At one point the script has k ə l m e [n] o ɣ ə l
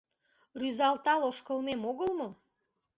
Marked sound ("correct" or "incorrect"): incorrect